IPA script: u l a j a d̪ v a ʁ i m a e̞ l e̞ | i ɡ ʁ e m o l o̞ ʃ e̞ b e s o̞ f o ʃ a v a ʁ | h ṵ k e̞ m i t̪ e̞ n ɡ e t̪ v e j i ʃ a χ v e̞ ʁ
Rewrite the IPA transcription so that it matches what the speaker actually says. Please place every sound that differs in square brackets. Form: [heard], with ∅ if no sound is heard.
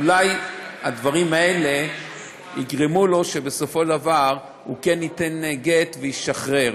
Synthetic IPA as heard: u l a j a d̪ v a ʁ i m a e̞ l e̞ | i ɡ ʁ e m [u] l o̞ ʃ e̞ b e s o̞ f o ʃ a v a ʁ | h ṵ k e̞ [n] i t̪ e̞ n ɡ e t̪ v e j i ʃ a χ [ʁ] e̞ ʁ